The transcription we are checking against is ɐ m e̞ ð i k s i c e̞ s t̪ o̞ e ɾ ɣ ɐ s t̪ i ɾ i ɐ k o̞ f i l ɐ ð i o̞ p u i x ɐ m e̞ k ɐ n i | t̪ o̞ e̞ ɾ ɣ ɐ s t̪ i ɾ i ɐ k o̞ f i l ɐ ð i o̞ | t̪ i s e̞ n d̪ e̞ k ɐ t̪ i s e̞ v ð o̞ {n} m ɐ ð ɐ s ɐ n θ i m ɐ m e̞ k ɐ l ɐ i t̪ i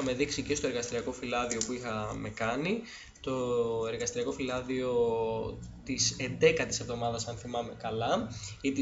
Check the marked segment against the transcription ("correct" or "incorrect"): incorrect